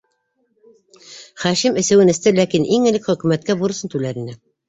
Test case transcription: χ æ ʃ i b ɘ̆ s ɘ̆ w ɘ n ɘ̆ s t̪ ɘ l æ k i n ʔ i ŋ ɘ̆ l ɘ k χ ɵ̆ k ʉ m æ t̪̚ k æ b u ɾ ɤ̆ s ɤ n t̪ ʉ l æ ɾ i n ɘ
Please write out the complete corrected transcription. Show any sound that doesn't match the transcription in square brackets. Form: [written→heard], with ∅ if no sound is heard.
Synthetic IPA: χ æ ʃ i [b→m] ɘ̆ s ɘ̆ w ɘ n ɘ̆ s t̪ ɘ l æ k i n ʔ i ŋ ɘ̆ l ɘ k χ ɵ̆ k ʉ m æ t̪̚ k æ b u ɾ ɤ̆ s ɤ n t̪ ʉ l æ ɾ i n ɘ